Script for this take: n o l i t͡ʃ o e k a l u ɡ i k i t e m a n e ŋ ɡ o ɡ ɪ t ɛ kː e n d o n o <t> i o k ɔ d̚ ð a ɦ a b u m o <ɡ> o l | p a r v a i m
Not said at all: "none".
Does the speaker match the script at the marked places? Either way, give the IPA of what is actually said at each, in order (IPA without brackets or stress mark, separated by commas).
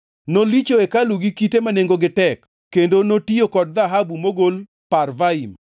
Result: t, ɡ